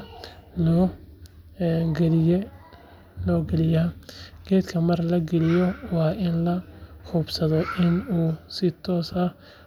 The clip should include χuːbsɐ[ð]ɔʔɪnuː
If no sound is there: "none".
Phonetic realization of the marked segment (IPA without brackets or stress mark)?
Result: ð